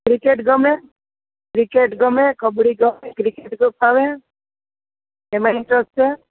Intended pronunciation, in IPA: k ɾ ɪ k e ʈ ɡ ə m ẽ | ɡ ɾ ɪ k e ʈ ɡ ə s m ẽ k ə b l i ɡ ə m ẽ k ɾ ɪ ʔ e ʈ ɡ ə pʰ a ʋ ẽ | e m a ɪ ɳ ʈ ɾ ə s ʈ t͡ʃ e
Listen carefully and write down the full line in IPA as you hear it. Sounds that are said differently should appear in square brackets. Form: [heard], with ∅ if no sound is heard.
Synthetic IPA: k ɾ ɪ k e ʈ ɡ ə m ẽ | [k] ɾ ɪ k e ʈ ɡ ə [∅] m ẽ k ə b [ɽ] i ɡ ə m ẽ k ɾ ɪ [k] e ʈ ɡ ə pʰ a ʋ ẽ | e m a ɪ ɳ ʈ ɾ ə s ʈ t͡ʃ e